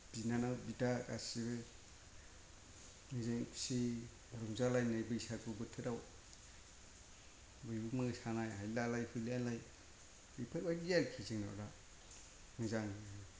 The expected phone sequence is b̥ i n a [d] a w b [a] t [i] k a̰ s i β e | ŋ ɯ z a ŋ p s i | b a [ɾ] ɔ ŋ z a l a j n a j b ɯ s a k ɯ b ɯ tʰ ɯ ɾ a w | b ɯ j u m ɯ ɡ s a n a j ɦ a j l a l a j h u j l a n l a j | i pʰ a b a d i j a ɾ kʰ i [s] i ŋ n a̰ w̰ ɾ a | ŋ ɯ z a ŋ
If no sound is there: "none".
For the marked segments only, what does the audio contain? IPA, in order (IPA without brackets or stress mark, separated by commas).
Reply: n, i, a, ɾ, z